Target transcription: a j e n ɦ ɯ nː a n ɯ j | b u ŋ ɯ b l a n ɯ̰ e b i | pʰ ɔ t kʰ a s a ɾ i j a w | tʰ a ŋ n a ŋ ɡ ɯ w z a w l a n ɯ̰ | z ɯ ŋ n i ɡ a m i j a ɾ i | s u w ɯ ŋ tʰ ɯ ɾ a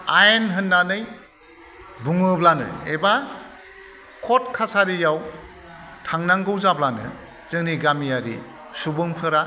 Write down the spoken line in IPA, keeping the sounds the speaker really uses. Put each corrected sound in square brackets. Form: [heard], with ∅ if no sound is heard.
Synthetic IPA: a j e n ɦ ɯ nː a n ɯ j | b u ŋ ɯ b l a n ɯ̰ e b [a] | [kʰ] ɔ t kʰ a s a ɾ i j a w | tʰ a ŋ n a ŋ ɡ ɯ w z a [b] l a n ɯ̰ | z ɯ ŋ n i ɡ a m i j a ɾ i | s u [b] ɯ ŋ [pʰ] ɯ ɾ a